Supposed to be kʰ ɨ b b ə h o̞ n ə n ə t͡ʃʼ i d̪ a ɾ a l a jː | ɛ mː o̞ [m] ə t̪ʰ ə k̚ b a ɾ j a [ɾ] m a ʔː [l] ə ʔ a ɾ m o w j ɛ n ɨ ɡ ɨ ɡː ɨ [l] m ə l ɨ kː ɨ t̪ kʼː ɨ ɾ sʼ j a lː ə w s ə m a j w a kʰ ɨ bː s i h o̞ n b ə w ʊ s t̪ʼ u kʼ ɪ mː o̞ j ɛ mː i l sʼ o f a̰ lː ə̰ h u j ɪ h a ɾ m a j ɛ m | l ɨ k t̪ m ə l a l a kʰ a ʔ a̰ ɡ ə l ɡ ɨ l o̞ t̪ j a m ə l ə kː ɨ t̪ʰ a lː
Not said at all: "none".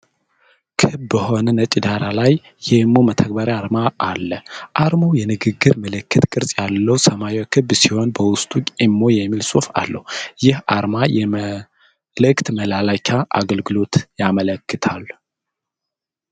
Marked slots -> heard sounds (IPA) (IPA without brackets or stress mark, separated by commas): m, ɾ, lː, ɾ